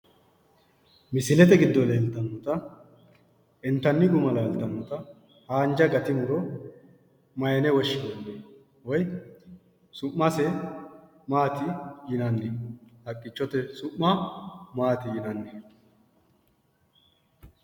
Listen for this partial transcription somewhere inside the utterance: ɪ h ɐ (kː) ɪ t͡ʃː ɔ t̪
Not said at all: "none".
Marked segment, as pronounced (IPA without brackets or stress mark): kʼː